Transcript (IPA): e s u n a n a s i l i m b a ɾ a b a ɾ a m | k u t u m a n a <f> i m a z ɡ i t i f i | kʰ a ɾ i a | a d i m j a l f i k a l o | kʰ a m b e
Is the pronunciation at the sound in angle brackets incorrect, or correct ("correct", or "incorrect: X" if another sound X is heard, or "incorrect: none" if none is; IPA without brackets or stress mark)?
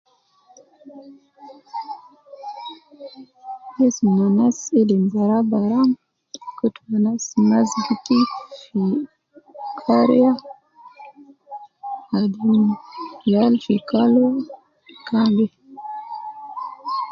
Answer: incorrect: s